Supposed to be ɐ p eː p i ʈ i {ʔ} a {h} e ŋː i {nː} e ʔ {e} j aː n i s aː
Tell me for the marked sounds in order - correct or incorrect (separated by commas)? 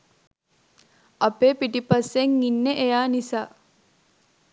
incorrect, incorrect, correct, correct